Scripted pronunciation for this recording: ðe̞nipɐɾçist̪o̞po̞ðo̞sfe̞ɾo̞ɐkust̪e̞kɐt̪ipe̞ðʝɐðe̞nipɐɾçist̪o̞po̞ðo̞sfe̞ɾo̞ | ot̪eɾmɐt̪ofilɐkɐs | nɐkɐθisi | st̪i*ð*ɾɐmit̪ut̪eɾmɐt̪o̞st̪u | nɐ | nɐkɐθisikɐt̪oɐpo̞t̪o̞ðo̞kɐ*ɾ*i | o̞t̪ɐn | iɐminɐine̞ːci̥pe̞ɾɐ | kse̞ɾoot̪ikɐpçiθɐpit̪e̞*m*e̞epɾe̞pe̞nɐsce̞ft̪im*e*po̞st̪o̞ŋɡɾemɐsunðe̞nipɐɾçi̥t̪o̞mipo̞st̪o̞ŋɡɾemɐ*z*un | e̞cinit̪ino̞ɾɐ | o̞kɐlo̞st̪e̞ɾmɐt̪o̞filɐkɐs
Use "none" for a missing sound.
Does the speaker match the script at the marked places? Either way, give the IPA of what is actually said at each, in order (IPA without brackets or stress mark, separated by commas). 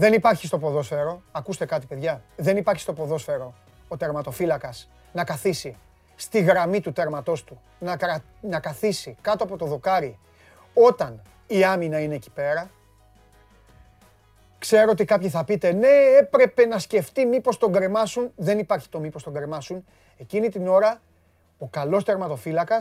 ɣ, ɾ, n, i, s